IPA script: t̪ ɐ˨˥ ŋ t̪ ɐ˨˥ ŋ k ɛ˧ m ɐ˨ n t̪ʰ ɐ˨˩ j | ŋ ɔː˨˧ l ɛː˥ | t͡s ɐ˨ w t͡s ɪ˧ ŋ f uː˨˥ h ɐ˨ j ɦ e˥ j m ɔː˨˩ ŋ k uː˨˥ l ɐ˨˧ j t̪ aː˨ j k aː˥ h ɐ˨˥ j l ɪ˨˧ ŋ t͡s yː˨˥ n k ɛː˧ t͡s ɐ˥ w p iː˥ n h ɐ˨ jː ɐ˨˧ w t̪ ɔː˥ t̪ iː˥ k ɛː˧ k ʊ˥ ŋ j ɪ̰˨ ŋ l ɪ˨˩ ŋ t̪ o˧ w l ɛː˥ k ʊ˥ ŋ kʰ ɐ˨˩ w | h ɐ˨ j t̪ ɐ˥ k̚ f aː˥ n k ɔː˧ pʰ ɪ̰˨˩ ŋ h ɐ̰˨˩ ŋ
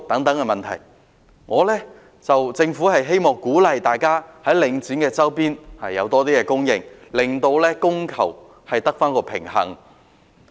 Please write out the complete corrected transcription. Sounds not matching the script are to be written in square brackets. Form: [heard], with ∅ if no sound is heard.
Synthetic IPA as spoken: t̪ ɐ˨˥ ŋ t̪ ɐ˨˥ ŋ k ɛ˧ m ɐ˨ n t̪ʰ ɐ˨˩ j | ŋ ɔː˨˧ l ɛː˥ | t͡s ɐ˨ w t͡s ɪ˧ ŋ f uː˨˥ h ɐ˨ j ɦ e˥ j m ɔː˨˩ ŋ k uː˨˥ l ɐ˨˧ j t̪ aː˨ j k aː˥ h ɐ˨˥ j l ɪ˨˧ ŋ t͡s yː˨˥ n k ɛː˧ t͡s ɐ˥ w p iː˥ n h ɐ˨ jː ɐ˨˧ w t̪ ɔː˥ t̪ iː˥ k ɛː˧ k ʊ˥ ŋ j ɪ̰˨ ŋ l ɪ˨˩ ŋ t̪ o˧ w l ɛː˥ k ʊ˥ ŋ kʰ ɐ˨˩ w | h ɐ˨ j t̪ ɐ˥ k̚ f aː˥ n k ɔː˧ pʰ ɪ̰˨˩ ŋ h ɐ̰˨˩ ŋ